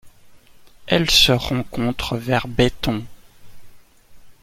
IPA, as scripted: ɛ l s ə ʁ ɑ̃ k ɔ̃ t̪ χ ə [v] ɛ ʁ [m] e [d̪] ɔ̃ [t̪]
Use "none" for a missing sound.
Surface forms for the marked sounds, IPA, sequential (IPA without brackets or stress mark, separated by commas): v, b, t̪, none